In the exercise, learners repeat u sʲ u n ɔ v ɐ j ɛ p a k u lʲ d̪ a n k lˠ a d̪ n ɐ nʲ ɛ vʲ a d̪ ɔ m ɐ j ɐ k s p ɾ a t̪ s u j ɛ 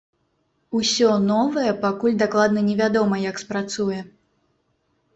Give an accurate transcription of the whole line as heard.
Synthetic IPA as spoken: u sʲ ɔ n ɔ v ɐ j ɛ p a k u lʲ d̪ a k lˠ a d̪ n ɐ nʲ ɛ vʲ a d̪ ɔ m ɐ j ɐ k s p ɾ a t̪ s u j ɛ